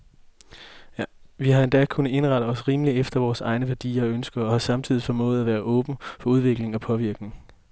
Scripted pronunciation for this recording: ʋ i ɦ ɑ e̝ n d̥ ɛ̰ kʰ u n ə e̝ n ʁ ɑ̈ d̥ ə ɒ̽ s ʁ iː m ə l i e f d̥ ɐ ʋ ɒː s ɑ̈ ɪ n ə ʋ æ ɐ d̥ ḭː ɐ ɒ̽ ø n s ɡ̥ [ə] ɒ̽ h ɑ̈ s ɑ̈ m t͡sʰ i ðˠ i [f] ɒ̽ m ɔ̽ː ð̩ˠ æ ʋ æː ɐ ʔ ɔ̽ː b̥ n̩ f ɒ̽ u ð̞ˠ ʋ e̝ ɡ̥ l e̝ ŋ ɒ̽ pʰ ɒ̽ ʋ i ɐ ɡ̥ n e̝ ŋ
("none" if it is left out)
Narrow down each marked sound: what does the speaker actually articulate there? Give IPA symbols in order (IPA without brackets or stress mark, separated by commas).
ɐ, f